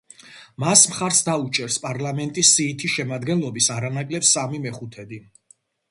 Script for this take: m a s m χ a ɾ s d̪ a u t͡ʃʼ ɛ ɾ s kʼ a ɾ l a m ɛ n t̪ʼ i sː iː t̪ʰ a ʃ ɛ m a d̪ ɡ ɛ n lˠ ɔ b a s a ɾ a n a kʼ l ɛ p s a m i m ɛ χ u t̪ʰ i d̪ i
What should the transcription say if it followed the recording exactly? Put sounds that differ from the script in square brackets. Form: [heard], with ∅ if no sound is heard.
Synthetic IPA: m a s m χ a ɾ s d̪ a u t͡ʃʼ ɛ ɾ s [pʼ] a ɾ l a m ɛ n t̪ʼ i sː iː t̪ʰ [i] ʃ ɛ m a d̪ ɡ ɛ n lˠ ɔ b [i] s a ɾ a n a kʼ l ɛ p s a m i m ɛ χ u t̪ʰ [ɛ] d̪ i